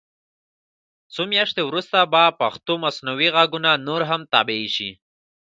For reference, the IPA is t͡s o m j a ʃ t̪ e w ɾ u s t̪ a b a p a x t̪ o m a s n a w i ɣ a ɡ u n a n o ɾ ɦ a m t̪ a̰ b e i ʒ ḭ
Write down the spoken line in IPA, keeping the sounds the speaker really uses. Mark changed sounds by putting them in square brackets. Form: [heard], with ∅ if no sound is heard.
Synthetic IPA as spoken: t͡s o m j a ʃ t̪ e w ɾ u s t̪ a b a p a x t̪ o m a s n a w i ɣ a ɡ u n a n o ɾ ɦ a m t̪ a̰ b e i [ʃ] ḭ